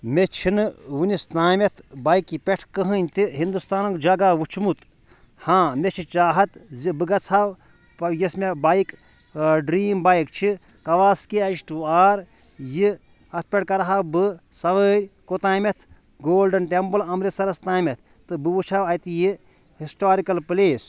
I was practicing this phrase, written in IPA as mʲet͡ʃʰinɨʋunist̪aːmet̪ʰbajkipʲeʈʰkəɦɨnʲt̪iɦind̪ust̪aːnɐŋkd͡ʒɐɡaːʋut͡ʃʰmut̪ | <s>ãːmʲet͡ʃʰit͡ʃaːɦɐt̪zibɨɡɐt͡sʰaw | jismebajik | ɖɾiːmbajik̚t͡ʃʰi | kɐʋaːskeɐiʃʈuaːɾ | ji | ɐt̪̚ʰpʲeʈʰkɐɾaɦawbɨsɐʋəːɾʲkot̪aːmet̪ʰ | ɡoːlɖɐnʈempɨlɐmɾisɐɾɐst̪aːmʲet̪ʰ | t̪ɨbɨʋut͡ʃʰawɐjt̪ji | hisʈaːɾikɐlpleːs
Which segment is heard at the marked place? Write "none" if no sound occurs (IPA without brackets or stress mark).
h